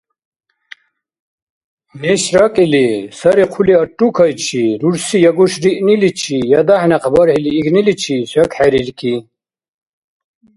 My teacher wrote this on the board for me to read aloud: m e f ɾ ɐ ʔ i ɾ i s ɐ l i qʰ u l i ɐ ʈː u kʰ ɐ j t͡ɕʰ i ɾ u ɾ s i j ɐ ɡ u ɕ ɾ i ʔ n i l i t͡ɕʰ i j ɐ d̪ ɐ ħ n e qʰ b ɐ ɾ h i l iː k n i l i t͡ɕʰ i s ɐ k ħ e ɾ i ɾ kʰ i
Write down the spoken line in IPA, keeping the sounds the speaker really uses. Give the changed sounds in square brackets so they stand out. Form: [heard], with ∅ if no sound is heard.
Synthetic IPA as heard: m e [ɕ] ɾ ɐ [k] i [l] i s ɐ [ɾ] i qʰ u l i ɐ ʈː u kʰ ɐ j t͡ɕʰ i ɾ u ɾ s i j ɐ ɡ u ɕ ɾ i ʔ n i l i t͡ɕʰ i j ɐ d̪ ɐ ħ n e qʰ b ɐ ɾ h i l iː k n i l i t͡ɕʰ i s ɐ k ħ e ɾ i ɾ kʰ i